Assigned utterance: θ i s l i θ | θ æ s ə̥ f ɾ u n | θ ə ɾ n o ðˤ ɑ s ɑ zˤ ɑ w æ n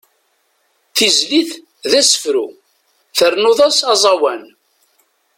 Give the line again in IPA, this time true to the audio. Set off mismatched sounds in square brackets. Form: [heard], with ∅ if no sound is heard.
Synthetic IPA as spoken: θ i [z] l i θ | [ð] æ s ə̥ f ɾ u [∅] | θ ə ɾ n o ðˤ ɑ s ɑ zˤ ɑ w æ n

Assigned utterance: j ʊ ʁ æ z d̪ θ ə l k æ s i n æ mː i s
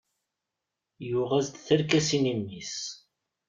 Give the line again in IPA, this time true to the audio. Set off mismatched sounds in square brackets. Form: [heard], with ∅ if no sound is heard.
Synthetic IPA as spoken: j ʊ ʁ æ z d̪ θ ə [ɾ] k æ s i n [i] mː i s

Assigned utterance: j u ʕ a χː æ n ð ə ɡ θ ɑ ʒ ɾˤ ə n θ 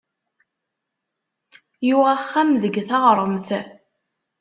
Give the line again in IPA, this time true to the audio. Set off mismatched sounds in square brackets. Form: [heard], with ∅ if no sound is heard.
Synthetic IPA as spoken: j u [ʁ] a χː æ [m] ð ə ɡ θ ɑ [ʁ] ɾˤ ə [m] θ

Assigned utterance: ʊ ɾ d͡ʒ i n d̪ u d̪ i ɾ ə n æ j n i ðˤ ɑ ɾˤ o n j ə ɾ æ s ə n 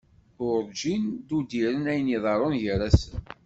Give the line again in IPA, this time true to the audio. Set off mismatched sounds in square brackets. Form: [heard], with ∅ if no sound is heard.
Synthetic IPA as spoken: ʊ ɾ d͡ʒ i n d̪ u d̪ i ɾ ə n æ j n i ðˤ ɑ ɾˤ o n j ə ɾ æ s ə n

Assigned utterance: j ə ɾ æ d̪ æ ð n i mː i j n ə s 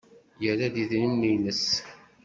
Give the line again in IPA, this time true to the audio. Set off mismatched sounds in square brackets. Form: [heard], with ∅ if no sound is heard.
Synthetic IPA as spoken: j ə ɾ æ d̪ [i] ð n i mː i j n ə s

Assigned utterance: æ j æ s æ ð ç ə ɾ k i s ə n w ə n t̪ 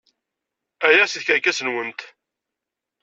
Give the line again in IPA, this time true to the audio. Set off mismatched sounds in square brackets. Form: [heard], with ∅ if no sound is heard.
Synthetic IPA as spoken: æ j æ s [i] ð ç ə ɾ k [æ] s ə n w ə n t̪

